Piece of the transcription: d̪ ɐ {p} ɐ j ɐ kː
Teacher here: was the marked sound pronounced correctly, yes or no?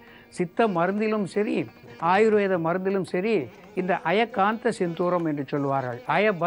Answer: no